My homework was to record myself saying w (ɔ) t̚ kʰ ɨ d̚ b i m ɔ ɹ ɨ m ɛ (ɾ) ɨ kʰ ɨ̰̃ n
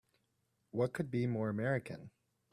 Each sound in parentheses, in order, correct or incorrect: incorrect: ʌ, incorrect: ɹ

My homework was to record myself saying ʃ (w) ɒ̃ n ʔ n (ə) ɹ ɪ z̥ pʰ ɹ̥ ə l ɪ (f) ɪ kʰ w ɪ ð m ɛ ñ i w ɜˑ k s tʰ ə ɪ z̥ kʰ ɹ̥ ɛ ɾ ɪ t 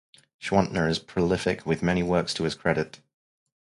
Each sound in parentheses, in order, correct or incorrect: correct, correct, correct

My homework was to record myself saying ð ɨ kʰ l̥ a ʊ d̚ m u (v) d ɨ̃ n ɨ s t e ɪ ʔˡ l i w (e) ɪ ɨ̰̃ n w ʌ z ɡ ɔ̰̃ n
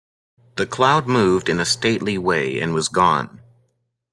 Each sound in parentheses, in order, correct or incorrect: correct, correct

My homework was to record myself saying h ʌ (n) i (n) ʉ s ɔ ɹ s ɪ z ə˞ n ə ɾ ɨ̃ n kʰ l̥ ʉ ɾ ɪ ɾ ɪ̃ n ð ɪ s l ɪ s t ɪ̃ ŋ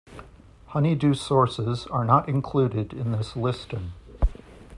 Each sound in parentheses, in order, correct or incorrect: correct, incorrect: d

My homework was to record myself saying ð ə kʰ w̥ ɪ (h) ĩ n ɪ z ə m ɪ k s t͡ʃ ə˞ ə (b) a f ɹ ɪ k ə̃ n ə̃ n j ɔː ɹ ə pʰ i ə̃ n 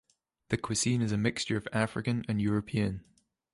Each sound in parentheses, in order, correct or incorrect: incorrect: s, incorrect: v

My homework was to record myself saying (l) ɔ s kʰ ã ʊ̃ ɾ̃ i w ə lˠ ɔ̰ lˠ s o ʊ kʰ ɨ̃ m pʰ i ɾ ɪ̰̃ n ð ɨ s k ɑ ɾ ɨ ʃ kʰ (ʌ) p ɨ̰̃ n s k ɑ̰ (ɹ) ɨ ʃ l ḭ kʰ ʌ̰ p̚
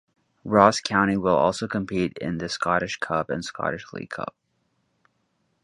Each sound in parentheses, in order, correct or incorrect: incorrect: ɹ, correct, incorrect: ɾ

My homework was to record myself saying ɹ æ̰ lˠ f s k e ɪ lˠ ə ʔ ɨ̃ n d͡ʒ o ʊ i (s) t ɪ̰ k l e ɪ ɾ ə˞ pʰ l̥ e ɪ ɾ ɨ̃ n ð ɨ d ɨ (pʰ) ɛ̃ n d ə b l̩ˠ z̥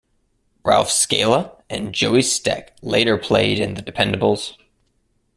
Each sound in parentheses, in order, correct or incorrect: correct, correct

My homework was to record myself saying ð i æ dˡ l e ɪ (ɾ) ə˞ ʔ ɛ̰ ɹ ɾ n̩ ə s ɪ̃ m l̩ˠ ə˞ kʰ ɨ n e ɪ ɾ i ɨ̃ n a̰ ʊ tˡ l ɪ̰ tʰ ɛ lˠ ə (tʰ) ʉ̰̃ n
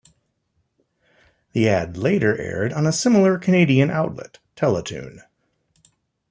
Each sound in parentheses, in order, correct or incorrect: correct, correct

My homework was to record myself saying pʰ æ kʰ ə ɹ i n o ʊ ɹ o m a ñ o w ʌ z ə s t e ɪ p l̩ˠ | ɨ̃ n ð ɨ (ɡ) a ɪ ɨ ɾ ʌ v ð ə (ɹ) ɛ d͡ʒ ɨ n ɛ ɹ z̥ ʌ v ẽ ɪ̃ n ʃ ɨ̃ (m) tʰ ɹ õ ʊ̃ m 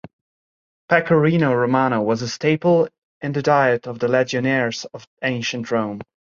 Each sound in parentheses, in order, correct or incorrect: incorrect: d, incorrect: l, incorrect: n

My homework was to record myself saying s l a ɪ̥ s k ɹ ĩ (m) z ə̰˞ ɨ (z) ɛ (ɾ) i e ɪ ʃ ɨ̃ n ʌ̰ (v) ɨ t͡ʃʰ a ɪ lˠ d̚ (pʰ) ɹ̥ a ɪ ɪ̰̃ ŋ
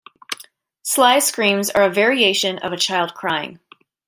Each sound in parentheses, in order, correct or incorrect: correct, incorrect: v, incorrect: ɹ, correct, incorrect: kʰ

